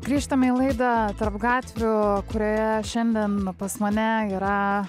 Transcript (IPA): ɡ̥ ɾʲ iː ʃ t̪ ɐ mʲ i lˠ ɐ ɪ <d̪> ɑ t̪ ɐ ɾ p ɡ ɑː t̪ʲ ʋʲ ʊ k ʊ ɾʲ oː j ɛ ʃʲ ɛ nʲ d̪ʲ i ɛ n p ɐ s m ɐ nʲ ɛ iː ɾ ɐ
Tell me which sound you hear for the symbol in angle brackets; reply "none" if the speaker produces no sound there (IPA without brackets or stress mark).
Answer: d̪